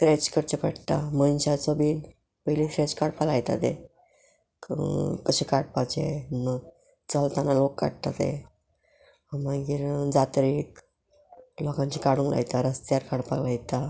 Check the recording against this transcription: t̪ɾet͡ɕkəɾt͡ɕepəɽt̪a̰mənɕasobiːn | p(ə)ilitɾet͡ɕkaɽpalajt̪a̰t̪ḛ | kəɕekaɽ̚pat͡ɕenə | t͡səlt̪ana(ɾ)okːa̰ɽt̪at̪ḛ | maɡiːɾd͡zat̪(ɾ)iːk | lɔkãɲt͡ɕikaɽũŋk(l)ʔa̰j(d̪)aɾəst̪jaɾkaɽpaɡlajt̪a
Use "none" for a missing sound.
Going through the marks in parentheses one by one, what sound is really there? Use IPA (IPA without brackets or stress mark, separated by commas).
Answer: ə, l, ɾ, l, t̪